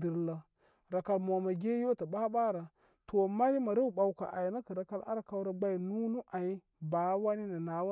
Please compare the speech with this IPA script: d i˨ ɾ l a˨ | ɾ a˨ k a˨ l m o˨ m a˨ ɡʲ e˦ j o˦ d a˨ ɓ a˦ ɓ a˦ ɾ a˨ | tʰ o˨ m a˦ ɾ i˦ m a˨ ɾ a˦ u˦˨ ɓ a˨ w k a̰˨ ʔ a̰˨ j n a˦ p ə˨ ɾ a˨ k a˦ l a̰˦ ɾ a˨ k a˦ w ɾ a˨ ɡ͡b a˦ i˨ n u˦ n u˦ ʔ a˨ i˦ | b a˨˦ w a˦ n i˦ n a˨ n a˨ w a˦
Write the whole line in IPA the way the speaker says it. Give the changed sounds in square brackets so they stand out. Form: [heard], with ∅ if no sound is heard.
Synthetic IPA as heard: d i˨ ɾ l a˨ | ɾ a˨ k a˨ l m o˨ m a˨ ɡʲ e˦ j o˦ [t] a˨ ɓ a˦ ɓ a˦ ɾ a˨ | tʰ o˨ m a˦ ɾ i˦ m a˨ ɾ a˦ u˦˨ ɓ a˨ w k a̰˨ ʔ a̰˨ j n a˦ [k] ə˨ ɾ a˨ k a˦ l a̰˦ ɾ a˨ k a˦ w ɾ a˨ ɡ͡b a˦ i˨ n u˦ n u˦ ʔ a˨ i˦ | b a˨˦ w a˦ n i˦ n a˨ n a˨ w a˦

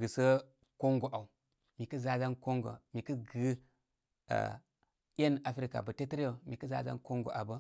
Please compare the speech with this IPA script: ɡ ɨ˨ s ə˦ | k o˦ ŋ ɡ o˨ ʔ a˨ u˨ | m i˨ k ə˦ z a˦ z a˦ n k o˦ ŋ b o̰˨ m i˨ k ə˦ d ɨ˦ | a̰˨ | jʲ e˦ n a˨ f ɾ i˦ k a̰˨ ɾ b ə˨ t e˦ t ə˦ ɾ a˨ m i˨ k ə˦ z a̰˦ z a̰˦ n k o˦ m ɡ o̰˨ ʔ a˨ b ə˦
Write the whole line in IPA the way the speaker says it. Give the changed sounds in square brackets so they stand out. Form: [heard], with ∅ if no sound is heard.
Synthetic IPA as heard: ɡ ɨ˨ s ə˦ | k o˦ ŋ ɡ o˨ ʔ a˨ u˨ | m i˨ k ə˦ z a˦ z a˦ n k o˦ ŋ [ɡ] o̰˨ m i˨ k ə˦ [ɡ] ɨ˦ | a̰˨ | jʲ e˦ n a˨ f ɾ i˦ k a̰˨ [∅] b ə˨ t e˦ t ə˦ ɾ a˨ m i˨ k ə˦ z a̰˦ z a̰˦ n k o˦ [ŋ] ɡ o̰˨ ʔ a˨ b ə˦

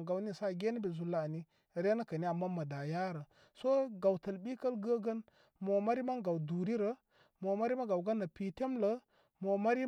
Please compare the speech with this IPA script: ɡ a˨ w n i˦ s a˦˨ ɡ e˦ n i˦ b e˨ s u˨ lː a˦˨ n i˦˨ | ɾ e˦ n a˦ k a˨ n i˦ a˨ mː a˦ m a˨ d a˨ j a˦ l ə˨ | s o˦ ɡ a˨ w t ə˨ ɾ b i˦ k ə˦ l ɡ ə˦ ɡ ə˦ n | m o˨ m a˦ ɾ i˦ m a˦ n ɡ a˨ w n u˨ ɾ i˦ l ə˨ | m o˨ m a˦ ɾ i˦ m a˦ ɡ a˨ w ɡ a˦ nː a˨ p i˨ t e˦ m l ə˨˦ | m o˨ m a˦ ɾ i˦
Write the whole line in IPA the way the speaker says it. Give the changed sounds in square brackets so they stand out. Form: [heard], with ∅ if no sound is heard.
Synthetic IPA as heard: ɡ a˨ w n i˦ s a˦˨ ɡ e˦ n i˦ b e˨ [z] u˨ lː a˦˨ n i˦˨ | ɾ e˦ n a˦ k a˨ n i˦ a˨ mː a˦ m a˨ d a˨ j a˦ [ɾ] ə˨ | s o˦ ɡ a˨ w t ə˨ [l] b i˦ k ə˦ l ɡ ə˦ ɡ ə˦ n | m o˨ m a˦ ɾ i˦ m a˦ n ɡ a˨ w [d] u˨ ɾ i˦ [ɾ] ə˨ | m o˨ m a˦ ɾ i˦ m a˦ ɡ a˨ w ɡ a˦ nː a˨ p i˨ t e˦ m l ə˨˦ | m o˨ m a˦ ɾ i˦

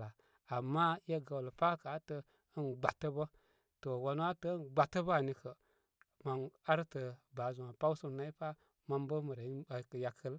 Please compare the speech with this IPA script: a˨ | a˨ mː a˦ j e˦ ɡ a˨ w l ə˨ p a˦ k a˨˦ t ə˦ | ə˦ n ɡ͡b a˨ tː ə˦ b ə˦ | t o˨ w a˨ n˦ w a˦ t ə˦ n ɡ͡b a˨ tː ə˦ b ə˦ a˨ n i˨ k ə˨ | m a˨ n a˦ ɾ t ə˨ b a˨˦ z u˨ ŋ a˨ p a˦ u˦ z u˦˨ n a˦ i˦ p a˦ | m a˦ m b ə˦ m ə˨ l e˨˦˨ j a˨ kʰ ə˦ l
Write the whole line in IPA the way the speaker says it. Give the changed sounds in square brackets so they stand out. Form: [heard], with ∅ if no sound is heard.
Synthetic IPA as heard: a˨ | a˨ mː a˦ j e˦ ɡ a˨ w l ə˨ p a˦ k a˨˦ t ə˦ | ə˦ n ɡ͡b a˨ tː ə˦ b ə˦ | t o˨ w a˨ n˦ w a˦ t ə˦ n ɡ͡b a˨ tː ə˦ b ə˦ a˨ n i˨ k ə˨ | m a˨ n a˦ ɾ t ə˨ b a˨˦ z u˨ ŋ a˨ p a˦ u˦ [s] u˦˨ n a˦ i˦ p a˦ | m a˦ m b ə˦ m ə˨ [ɾ] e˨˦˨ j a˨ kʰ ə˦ l

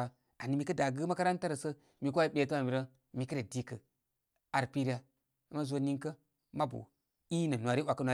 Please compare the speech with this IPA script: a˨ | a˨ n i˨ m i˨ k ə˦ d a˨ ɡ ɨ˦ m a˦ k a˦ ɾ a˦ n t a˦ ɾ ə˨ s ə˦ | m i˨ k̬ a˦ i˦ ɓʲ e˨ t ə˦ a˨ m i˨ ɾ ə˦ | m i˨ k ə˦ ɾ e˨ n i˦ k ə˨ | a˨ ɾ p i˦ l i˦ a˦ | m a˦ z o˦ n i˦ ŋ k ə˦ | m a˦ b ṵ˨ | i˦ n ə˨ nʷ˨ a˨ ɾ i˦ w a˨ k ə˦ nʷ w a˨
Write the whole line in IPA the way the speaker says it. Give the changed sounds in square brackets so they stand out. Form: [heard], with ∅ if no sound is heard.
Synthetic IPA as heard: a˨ | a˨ n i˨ m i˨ k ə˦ d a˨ ɡ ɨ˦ m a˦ k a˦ ɾ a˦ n t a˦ ɾ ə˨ s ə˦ | m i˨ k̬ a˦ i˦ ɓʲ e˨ t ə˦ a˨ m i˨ ɾ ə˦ | m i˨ k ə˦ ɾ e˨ [d] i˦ k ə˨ | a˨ ɾ p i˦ [ɾ] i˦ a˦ | m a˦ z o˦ n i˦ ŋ k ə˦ | m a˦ b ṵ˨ | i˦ n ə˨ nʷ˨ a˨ ɾ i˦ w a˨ k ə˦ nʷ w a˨

